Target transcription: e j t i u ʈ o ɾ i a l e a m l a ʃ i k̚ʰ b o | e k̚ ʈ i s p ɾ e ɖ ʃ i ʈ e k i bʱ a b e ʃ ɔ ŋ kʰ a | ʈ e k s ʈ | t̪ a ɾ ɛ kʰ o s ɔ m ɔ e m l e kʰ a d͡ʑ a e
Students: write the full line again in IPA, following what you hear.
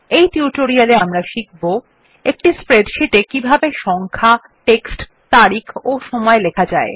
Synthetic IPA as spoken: e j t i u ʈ o ɾ i a l e a m ɾ a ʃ i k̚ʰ b o | e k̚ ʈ i s p ɾ e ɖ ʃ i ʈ e k i bʱ a b e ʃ ɔ ŋ kʰ a | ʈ e k s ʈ | t̪ a ɾ i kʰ o ʃ ɔ m ɔ e l e kʰ a d͡ʑ a e